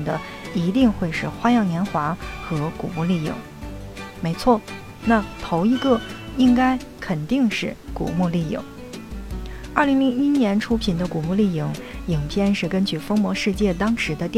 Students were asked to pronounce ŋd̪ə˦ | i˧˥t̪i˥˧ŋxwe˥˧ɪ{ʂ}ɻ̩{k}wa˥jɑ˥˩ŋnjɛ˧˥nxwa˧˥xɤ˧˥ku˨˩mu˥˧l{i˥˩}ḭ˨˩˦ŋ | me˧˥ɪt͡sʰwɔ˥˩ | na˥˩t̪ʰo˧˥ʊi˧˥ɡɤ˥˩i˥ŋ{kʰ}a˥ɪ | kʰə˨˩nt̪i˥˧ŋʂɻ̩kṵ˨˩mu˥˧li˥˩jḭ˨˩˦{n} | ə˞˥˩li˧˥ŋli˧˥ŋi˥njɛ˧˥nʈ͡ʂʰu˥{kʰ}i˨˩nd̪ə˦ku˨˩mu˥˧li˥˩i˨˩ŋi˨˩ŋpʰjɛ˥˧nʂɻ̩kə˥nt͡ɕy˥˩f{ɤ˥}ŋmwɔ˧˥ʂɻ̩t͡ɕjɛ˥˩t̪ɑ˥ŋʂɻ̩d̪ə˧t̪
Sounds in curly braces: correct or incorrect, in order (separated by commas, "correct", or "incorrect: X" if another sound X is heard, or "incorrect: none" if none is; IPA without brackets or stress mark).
correct, incorrect: x, correct, incorrect: k, incorrect: ŋ, incorrect: pʰ, correct